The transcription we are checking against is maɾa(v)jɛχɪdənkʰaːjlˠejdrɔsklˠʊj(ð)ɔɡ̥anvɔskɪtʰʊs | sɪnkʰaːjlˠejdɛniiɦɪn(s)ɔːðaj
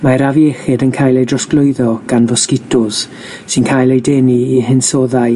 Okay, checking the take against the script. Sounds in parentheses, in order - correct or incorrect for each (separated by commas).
correct, correct, correct